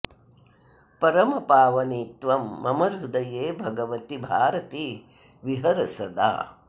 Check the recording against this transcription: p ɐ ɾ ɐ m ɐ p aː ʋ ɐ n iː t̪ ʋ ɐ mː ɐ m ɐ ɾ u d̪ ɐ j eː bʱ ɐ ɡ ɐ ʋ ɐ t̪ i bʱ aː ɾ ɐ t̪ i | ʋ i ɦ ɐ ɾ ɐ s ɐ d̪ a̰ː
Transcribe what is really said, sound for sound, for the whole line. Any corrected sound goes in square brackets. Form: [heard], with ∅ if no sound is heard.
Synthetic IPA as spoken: p ɐ ɾ ɐ m ɐ p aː ʋ ɐ n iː t̪ ʋ ɐ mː ɐ m ɐ ɾ u d̪ ɐ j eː bʱ ɐ ɡ ɐ ʋ ɐ t̪ i bʱ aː ɾ ɐ t̪ i | ʋ i ɦ ɐ ɾ ɐ s ɐ d̪ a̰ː